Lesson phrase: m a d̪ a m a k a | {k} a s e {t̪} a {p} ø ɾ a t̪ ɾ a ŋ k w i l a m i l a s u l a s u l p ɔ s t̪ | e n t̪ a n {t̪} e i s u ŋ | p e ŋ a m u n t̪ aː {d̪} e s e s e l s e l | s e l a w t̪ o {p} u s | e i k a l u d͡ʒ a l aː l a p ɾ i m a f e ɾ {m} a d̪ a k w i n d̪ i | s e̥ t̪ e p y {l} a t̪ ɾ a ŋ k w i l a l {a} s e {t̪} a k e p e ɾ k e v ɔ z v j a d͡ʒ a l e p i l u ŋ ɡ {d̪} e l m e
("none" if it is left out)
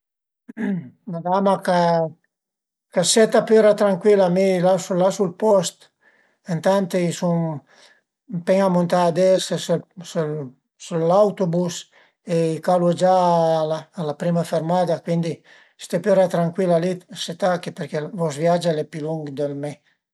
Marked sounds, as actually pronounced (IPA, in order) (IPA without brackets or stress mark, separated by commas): k, t̪, p, t̪, d̪, b, m, ɾ, i, t̪, d̪